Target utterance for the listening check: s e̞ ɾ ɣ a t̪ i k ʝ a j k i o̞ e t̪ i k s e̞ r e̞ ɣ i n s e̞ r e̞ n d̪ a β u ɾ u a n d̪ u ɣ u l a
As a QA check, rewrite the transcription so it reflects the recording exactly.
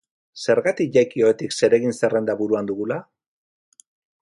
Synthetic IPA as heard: s e̞ ɾ ɣ a t̪ i k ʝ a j k i o̞ e t̪ i k s e̞ ɾ e̞ ɣ i n s e̞ r e̞ n d̪ a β u ɾ u a n d̪ u ɣ u l a